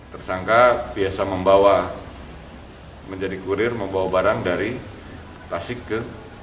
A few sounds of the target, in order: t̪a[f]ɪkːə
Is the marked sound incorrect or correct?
incorrect